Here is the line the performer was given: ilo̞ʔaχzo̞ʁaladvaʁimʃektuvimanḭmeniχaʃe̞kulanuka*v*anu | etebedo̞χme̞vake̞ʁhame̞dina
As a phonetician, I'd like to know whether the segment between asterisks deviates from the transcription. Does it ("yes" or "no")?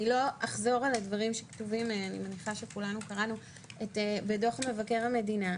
yes